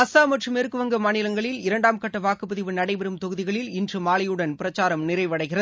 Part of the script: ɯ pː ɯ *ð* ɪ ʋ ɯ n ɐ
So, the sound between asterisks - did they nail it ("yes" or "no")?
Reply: yes